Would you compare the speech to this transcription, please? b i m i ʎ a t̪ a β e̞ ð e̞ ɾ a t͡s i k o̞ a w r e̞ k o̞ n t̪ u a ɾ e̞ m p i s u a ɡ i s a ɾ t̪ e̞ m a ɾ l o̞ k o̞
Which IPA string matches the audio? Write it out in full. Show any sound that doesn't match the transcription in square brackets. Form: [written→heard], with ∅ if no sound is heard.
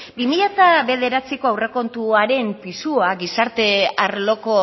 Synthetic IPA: b i m i ʎ a t̪ a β e̞ ð e̞ ɾ a t͡s i k o̞ a w r e̞ k o̞ n t̪ u a ɾ e̞ m p i s u a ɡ i s a ɾ t̪ e̞ [m→∅] a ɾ l o̞ k o̞